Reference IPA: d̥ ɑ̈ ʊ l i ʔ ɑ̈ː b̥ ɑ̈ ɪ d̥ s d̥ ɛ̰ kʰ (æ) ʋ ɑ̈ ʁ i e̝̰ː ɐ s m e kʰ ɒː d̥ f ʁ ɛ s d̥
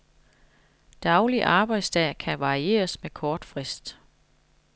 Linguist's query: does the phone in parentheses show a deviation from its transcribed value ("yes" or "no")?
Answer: no